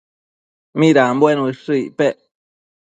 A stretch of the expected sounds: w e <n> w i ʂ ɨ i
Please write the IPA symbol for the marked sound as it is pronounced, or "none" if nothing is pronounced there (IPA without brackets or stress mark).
n